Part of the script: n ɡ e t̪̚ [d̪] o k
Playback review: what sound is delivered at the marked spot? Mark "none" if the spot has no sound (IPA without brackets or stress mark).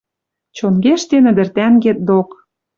d̪